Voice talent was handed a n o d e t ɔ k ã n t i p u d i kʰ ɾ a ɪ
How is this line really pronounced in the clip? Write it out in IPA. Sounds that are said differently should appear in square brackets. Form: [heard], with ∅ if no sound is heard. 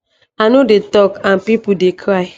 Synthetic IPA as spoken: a n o d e t ɔ k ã n [p] i p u d [e] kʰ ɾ a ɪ